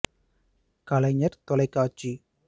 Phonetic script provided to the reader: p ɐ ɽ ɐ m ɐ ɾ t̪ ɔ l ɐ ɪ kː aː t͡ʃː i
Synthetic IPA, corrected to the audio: k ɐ l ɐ ɲ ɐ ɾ t̪ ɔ l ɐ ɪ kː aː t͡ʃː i